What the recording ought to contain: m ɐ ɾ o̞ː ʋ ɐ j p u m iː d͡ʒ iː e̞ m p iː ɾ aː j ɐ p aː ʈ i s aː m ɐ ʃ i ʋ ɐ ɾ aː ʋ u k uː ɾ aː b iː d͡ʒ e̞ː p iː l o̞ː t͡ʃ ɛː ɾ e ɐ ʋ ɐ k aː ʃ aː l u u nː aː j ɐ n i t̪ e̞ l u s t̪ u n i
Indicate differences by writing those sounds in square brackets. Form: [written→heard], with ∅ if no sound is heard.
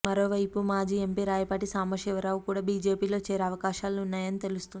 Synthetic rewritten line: m ɐ ɾ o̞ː ʋ ɐ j p u m [iː→aː] d͡ʒ iː e̞ m p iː ɾ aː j ɐ p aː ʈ i s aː m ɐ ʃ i ʋ ɐ ɾ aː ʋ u k uː [ɾ→ɽ] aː b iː d͡ʒ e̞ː p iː l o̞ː t͡ʃ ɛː ɾ e ɐ ʋ ɐ k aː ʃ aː l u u nː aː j ɐ n i t̪ e̞ l u s t̪ u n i